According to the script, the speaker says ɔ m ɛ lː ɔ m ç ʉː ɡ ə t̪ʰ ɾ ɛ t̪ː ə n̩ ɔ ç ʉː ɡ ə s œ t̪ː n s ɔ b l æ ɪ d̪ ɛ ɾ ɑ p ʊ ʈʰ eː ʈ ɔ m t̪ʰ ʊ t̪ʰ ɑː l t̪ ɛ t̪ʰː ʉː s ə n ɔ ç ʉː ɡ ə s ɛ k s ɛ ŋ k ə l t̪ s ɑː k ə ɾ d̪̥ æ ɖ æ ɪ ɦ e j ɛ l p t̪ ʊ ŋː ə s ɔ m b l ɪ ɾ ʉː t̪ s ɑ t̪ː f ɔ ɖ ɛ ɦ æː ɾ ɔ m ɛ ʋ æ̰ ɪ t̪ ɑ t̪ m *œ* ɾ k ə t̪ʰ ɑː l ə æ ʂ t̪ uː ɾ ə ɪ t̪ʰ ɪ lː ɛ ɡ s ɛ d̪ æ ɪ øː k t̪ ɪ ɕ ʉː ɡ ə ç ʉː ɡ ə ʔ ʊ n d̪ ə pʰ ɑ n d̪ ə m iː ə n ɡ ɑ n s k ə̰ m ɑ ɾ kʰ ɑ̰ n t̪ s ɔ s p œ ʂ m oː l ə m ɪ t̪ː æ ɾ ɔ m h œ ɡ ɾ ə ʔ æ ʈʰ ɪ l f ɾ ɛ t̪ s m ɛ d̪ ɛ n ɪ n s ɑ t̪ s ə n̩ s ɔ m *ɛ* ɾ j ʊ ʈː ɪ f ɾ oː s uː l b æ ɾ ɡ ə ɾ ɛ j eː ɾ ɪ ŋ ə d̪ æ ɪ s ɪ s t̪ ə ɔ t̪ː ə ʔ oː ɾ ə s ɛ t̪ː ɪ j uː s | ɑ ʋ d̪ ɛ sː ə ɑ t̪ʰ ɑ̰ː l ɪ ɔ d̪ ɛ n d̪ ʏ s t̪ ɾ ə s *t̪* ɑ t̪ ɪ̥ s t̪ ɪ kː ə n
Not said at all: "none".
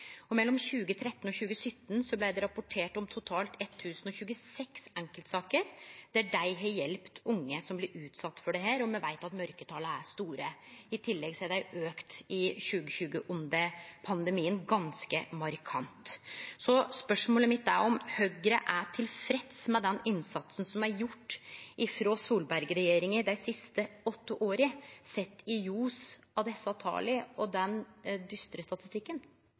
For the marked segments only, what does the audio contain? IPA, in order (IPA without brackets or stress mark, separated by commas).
œ, æ, t̪